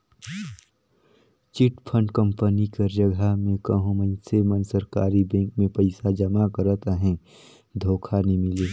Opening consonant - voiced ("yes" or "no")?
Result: no